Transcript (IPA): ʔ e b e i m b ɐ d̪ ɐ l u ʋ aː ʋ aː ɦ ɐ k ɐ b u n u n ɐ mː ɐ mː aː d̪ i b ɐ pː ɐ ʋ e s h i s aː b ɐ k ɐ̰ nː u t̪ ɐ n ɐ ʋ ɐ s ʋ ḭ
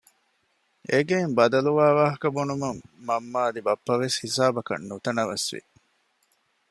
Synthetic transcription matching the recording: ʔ e ɡ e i m b ɐ d̪ ɐ l u ʋ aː ʋ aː ɦ ɐ k ɐ b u n u m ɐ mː ɐ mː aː d̪ i b ɐ pː ɐ ʋ e s h i s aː b ɐ k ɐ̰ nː u t̪ ɐ n ɐ ʋ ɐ s ʋ ḭ